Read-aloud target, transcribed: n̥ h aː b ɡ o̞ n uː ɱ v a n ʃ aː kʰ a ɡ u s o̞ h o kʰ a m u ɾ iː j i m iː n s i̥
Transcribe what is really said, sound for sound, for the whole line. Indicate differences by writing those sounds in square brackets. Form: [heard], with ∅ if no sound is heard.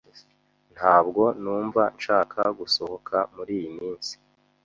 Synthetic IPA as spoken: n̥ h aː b ɡ o̞ n uː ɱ v a n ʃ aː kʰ a ɡ u s o̞ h o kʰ a m u ɾ iː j i m iː n s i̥